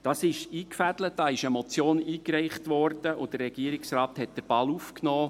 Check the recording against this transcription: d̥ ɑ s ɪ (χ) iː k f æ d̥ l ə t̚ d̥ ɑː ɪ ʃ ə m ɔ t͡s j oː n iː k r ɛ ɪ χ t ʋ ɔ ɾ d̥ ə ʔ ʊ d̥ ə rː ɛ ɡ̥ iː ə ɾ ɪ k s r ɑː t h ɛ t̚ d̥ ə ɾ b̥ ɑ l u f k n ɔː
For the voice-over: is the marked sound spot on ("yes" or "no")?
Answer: no